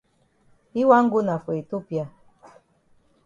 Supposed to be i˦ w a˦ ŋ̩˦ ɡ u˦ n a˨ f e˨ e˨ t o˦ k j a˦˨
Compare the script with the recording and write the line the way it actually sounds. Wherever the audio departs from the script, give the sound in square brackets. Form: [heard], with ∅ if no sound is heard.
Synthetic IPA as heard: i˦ w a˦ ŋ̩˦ ɡ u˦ n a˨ f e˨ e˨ t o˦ [p] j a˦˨

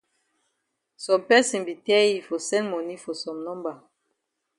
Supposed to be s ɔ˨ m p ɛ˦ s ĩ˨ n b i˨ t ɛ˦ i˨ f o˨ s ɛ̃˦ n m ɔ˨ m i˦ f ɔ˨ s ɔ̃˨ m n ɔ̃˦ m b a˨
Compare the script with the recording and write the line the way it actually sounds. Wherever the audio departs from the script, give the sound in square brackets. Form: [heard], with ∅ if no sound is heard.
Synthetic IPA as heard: s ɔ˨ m p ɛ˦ s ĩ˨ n b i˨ t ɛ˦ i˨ f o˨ s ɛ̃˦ n m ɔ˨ [n] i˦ f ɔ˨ s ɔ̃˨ m n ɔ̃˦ m b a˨

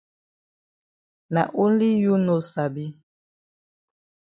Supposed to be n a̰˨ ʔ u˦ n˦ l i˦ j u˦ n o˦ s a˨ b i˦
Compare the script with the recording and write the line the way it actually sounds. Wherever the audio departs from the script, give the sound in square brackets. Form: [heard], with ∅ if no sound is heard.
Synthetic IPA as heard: n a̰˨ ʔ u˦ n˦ l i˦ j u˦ n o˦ s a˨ b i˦

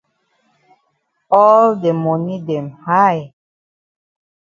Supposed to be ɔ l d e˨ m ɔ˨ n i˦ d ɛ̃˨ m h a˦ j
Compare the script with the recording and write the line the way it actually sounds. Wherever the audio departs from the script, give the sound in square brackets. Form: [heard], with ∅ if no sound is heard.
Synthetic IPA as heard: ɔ l d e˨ m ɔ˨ n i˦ d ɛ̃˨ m h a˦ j

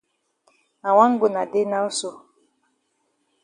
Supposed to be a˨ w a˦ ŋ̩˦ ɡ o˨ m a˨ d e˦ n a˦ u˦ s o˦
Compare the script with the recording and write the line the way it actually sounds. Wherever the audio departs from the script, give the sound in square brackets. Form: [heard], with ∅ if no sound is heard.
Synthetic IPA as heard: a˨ w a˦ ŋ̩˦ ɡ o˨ [n] a˨ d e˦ n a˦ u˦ s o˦

